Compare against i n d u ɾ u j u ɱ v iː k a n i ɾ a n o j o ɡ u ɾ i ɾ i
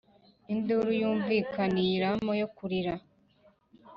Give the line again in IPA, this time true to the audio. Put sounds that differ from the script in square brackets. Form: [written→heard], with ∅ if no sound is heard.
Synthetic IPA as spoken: i n d u ɾ u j [u→uː] ɱ v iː k a n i ɾ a [n→m] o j o [ɡ→k] u ɾ i ɾ [i→a]